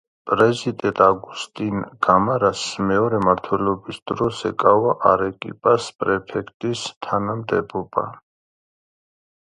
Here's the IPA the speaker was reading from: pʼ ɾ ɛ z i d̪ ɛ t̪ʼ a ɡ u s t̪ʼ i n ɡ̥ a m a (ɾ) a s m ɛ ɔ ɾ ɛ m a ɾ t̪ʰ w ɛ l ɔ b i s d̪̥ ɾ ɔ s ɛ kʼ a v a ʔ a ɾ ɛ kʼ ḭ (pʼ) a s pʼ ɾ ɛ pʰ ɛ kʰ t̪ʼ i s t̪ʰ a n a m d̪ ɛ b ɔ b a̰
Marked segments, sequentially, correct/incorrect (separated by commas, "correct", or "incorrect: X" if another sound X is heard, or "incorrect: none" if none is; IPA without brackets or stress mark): correct, correct